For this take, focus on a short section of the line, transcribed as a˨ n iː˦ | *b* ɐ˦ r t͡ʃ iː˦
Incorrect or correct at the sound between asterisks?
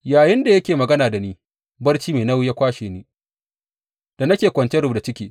correct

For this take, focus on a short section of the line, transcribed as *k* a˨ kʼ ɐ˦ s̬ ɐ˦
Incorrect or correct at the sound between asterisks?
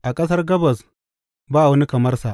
incorrect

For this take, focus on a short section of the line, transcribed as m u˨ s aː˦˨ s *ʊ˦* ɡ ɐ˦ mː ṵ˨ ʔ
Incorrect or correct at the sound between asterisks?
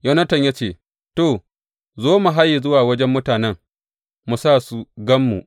incorrect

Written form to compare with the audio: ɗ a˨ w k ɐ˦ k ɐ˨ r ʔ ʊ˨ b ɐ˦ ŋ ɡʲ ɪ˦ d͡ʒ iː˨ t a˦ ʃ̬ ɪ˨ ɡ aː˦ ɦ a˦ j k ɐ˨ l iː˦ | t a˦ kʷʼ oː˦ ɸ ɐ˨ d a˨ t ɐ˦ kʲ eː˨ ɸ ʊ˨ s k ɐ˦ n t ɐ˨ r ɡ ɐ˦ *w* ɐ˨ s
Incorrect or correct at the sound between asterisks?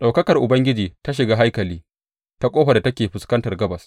incorrect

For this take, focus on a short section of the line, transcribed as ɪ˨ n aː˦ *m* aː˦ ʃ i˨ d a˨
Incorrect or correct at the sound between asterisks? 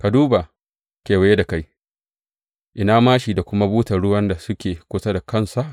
correct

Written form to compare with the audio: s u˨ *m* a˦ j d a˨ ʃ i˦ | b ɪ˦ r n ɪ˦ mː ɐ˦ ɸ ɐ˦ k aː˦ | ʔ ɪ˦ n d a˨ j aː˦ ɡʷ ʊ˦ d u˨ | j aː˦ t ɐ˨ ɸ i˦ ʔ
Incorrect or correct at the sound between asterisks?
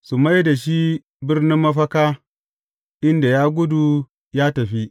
correct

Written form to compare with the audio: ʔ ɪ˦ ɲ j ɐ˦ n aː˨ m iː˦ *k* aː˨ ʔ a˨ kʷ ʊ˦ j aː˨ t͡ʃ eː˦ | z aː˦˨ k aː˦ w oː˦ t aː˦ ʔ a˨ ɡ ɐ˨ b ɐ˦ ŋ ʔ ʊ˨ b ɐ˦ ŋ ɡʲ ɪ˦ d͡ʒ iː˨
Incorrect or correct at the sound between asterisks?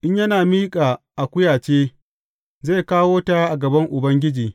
incorrect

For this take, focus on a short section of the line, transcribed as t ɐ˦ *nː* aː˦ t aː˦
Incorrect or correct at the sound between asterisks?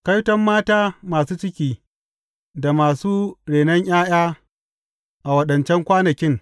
incorrect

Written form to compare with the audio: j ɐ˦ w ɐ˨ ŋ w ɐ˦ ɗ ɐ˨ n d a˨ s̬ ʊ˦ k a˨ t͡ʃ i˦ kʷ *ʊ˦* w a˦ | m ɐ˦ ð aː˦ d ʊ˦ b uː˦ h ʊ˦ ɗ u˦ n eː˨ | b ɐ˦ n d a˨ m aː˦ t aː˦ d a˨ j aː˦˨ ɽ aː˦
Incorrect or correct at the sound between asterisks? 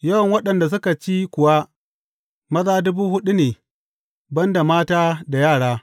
incorrect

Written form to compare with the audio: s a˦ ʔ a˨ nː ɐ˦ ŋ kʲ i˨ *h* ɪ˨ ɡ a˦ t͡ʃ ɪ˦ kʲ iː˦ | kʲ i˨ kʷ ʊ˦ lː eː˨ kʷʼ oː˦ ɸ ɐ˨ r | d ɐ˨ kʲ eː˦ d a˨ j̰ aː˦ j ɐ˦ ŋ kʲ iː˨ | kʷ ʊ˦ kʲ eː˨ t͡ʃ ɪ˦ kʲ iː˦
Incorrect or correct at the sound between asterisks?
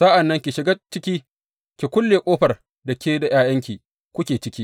incorrect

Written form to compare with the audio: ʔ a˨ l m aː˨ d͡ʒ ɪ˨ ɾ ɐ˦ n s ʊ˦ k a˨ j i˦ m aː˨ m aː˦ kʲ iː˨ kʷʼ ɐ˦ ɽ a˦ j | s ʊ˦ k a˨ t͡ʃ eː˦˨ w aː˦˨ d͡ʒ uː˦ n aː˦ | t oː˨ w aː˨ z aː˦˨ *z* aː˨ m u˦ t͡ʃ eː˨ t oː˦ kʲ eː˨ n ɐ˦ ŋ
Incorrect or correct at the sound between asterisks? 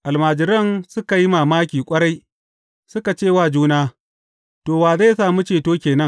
incorrect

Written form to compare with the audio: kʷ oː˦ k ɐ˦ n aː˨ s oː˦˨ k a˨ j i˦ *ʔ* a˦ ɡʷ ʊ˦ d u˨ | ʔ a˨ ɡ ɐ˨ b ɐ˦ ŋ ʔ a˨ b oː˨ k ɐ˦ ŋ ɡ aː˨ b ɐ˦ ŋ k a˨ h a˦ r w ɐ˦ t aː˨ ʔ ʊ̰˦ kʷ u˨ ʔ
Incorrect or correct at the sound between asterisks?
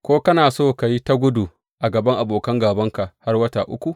incorrect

